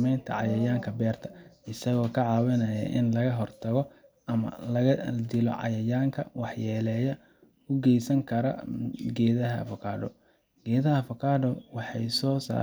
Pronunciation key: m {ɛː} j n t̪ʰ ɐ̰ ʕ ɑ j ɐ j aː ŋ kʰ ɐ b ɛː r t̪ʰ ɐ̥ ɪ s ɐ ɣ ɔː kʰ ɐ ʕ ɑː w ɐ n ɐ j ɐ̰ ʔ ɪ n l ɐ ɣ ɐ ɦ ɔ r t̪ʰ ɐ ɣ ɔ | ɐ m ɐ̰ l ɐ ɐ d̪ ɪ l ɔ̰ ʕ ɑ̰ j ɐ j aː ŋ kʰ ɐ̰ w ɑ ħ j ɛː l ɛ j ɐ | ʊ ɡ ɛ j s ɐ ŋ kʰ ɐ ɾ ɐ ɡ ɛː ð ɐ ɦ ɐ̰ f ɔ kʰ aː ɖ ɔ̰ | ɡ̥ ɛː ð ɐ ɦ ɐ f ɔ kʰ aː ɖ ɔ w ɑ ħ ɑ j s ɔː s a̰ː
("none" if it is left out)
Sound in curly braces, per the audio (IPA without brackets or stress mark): ɛ